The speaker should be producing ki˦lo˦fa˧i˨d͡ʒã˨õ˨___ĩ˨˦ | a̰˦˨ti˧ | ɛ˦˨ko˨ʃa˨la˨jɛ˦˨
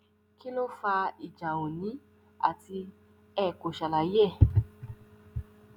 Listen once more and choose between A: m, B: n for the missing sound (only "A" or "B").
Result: B